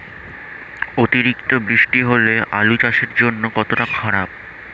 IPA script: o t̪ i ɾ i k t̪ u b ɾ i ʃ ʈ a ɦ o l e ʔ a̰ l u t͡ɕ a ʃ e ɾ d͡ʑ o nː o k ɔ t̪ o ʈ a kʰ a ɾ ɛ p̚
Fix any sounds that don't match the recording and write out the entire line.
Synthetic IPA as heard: o t̪ i ɾ i k t̪ o b ɾ i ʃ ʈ i ɦ o l e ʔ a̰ l u t͡ɕ a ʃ e ɾ d͡ʑ o nː o k ɔ t̪ o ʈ a kʰ a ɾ a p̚